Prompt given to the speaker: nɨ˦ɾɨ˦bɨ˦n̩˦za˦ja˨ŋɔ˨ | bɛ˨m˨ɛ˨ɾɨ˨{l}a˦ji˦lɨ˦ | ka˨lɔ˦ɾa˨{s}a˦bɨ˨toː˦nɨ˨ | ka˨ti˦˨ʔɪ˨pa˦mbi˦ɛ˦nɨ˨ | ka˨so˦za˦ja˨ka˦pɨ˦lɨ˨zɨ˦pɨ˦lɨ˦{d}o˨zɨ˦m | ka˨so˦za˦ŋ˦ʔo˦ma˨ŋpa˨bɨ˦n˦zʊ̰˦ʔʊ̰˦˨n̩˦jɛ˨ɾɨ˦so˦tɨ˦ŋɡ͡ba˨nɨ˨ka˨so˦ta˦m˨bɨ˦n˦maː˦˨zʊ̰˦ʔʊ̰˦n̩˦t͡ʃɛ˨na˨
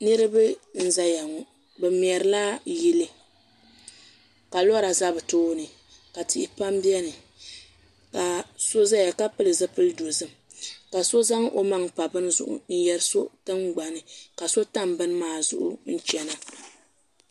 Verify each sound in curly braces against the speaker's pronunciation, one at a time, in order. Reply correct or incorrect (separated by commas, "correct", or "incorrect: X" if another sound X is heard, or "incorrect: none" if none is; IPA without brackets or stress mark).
correct, incorrect: z, correct